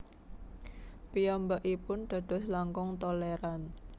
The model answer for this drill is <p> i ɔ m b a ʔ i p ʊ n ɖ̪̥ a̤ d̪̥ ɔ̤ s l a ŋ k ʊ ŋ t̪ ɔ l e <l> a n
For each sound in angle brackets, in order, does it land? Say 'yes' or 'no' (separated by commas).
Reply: yes, no